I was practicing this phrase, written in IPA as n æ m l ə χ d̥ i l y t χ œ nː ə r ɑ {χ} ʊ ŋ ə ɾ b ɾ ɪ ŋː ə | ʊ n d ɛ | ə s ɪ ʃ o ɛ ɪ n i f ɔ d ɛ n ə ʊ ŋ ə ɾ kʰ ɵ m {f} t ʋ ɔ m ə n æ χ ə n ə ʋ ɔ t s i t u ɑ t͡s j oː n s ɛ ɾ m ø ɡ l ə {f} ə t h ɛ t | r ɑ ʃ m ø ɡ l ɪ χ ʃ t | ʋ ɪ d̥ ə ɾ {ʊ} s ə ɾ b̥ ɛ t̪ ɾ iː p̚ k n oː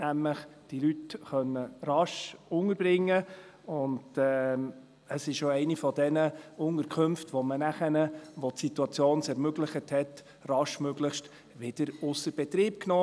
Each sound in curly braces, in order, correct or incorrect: incorrect: ʃ, correct, incorrect: χ, correct

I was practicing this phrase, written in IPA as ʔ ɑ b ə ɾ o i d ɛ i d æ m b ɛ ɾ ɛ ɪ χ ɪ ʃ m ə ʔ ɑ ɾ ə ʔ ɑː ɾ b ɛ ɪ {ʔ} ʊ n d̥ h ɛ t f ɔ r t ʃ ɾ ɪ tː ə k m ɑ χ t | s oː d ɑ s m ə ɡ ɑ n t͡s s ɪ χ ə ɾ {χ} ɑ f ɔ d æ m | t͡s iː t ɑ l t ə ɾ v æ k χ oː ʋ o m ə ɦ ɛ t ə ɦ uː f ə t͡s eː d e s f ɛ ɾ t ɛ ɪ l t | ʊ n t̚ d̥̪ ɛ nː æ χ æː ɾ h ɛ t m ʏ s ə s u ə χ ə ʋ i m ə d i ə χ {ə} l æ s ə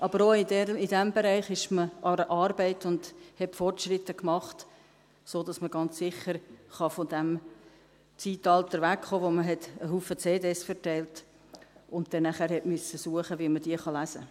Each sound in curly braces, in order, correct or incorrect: incorrect: t, correct, incorrect: ɑ

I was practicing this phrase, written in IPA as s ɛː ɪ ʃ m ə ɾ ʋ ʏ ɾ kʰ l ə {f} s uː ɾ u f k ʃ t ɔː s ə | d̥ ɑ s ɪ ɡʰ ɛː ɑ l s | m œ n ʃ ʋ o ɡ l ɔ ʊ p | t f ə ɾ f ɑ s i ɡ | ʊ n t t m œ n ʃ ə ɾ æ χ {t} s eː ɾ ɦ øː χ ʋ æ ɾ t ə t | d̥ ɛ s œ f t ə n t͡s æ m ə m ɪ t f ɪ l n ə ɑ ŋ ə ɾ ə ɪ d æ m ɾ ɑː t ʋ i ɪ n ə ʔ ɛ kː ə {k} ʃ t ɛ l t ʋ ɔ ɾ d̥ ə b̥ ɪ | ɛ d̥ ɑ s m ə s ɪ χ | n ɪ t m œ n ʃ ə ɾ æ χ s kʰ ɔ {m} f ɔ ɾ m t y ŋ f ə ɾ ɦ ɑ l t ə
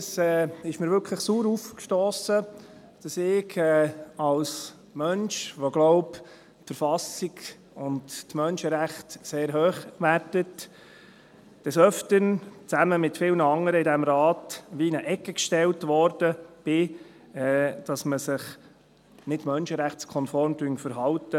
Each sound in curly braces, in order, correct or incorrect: incorrect: χ, correct, correct, incorrect: n

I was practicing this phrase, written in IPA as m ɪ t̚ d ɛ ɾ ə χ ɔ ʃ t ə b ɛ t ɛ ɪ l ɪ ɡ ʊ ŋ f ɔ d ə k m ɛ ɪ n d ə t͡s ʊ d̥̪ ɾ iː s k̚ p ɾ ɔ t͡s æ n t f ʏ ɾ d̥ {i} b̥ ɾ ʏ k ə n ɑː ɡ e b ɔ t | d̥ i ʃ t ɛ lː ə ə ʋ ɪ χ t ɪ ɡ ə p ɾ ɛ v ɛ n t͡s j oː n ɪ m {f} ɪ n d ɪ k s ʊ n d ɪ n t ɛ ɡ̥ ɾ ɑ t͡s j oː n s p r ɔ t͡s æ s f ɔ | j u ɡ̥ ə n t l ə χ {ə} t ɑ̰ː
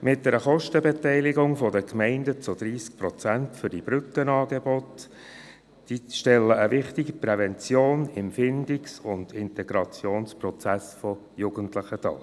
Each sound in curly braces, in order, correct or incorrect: correct, correct, correct

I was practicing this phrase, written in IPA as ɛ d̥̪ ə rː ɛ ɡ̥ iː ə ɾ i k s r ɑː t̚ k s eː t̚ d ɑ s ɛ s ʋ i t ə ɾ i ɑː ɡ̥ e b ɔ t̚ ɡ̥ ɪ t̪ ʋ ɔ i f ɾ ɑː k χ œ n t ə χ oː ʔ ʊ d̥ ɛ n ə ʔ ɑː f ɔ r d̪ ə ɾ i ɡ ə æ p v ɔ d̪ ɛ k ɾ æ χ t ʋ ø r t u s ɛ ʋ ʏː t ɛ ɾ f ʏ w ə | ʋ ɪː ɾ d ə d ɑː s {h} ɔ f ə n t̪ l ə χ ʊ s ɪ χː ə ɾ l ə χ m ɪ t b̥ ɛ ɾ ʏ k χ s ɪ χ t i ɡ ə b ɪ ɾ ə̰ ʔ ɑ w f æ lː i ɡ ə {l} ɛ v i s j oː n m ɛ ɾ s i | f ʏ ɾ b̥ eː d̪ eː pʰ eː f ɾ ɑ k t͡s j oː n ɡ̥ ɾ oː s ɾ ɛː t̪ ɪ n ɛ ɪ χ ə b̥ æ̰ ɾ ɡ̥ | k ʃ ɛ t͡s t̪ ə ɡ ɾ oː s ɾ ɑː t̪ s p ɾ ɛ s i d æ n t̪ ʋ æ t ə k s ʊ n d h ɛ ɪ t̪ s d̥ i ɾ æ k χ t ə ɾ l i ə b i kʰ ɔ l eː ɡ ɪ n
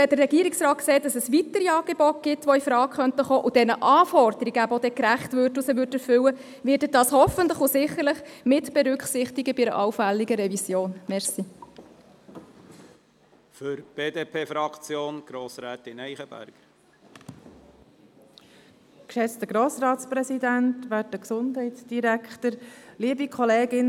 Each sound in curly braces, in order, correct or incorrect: correct, incorrect: ɾ

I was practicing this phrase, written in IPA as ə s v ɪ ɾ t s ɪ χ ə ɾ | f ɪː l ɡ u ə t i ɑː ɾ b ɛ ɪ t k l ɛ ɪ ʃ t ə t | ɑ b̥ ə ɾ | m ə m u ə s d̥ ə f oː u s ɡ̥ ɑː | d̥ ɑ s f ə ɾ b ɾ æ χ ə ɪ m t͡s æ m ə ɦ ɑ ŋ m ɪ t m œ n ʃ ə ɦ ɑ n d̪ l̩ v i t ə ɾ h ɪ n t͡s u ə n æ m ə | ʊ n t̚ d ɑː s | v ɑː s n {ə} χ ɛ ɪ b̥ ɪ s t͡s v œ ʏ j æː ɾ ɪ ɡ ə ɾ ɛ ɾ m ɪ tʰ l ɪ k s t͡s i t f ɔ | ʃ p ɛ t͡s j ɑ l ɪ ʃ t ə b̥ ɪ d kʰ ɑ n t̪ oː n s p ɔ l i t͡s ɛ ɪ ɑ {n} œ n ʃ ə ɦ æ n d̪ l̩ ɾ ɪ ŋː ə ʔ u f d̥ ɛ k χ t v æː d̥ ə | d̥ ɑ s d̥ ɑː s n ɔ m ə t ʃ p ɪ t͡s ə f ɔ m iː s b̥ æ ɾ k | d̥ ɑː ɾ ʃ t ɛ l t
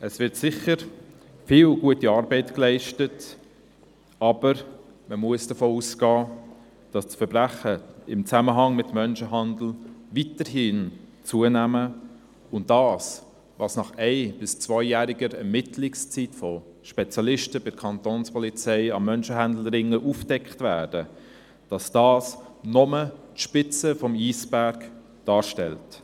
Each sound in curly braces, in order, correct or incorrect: incorrect: ɑ, incorrect: m

